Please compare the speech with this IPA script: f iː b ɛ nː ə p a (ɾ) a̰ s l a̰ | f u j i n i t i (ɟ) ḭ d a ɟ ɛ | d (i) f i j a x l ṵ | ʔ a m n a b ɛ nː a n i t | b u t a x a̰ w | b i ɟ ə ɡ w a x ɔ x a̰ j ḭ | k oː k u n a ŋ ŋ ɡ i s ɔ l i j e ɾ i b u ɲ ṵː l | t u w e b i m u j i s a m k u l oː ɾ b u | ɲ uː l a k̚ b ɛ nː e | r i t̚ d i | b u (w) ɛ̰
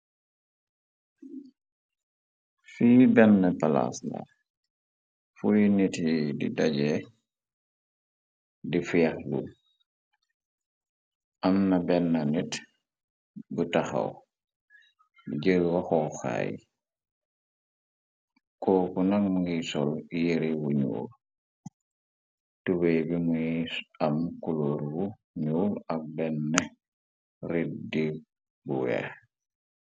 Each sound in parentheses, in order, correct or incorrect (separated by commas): incorrect, incorrect, correct, correct